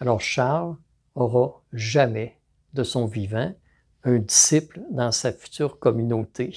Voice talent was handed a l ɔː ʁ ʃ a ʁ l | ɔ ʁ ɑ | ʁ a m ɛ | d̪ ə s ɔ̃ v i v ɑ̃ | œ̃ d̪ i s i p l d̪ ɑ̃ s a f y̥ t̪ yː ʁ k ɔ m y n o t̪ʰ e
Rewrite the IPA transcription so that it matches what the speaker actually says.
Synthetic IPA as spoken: a l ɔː ʁ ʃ a ʁ l | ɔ ʁ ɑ | ʒ a m ɛ | d̪ ə s ɔ̃ v i v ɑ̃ | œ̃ d̪ i s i p l d̪ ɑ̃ s a f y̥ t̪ yː ʁ k ɔ m y n o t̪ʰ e